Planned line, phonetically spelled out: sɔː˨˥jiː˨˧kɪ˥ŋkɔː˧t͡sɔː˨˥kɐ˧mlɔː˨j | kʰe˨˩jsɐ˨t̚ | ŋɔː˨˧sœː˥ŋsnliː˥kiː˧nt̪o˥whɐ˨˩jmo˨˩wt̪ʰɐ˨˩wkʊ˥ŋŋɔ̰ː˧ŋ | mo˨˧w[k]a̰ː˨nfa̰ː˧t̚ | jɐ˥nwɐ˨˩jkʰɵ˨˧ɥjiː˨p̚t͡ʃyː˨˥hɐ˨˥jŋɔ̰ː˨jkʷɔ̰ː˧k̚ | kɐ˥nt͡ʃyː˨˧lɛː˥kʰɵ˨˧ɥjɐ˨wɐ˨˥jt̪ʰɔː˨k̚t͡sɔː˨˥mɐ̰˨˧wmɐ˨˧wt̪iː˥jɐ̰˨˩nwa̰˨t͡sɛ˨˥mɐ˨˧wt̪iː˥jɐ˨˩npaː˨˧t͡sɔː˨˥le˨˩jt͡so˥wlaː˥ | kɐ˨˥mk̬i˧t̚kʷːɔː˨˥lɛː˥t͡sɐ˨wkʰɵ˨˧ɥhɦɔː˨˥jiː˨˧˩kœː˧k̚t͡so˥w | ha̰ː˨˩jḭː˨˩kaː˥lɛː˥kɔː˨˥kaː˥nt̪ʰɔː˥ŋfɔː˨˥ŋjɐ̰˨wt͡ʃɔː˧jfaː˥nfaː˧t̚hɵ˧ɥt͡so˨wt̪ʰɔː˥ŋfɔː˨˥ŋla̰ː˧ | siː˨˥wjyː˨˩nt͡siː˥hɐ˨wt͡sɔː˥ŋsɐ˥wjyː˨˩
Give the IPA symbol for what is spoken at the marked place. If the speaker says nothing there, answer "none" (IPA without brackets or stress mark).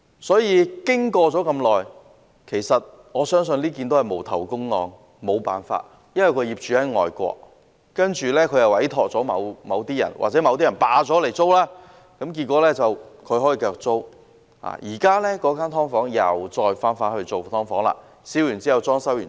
p